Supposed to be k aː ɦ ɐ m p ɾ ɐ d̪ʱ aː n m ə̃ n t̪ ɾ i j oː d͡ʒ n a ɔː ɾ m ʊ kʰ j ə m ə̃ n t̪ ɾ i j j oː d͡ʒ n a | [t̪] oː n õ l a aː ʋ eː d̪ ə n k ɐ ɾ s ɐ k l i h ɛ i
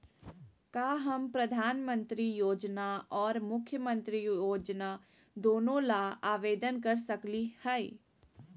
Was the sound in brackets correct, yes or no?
no